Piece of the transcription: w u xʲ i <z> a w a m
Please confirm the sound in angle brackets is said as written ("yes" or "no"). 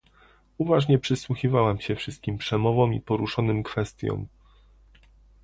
no